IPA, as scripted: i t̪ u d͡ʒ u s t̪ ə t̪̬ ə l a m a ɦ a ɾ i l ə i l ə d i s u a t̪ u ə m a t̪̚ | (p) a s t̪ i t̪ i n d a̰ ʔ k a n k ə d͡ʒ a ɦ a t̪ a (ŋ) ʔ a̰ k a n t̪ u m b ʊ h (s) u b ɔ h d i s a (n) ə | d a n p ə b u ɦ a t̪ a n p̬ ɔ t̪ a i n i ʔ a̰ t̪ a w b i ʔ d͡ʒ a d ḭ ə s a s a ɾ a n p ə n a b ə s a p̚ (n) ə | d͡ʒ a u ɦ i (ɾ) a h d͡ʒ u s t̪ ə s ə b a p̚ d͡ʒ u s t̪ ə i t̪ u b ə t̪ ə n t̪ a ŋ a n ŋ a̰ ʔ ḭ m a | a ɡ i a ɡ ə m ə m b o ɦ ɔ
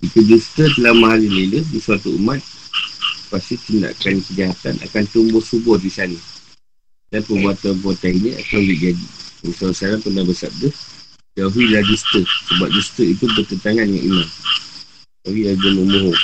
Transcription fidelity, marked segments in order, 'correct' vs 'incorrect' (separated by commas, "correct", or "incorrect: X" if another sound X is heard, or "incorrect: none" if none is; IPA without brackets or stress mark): correct, incorrect: n, correct, correct, incorrect: d, incorrect: l